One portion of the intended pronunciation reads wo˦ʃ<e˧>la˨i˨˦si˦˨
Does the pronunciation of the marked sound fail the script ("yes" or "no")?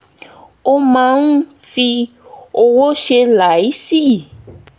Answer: no